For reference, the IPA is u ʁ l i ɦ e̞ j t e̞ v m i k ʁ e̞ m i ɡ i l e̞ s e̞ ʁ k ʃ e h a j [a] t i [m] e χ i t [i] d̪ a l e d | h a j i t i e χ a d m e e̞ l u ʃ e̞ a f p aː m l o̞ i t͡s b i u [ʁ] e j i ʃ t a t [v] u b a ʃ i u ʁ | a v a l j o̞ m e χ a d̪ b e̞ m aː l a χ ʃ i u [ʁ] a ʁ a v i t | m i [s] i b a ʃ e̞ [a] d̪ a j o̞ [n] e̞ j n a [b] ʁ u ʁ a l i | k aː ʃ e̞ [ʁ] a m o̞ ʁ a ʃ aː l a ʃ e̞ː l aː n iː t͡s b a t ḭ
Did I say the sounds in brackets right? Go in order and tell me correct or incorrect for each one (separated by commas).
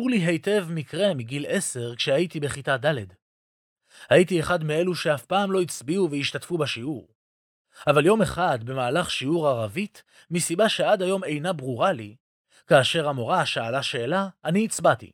incorrect, incorrect, incorrect, incorrect, incorrect, correct, correct, correct, incorrect, correct, correct